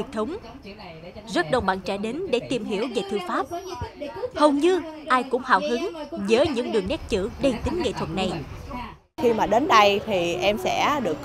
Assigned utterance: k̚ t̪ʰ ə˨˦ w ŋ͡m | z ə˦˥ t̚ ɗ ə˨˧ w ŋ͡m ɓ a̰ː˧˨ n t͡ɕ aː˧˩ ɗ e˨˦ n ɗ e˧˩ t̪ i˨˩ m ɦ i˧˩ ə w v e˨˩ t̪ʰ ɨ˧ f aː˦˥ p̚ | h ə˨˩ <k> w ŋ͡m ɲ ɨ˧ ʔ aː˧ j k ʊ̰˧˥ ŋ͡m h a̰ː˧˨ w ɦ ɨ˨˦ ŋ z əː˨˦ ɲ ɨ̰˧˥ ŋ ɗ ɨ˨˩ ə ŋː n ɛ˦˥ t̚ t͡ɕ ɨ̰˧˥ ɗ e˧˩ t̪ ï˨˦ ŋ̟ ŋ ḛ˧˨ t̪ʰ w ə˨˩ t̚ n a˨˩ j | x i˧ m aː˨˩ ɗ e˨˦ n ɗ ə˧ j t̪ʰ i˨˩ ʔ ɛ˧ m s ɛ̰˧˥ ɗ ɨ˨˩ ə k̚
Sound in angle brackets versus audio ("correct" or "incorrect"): incorrect